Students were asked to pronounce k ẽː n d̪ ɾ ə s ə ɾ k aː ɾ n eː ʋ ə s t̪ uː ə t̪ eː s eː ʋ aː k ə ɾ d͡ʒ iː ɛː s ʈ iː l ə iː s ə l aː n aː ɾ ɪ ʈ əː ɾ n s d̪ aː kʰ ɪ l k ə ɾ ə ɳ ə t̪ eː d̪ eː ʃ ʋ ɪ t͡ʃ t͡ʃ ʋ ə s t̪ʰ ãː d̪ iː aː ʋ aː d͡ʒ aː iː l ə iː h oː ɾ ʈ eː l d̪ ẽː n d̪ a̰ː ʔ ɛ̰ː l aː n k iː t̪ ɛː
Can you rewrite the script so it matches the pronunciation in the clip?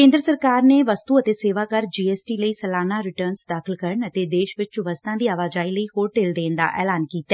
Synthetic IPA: k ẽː n d̪ ɾ ə s ə ɾ k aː ɾ n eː ʋ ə s t̪ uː ə t̪ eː s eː ʋ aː k ə ɾ d͡ʒ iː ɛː s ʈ iː l ə iː s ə l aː n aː ɾ ɪ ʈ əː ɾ n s d̪ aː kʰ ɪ l k ə ɾ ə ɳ ə t̪ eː d̪ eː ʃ ʋ ɪ t͡ʃ t͡ʃ ʋ ə s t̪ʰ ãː d̪ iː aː ʋ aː d͡ʒ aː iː l ə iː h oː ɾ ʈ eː l d̪ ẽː n d̪ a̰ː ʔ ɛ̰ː l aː n k iː t̪ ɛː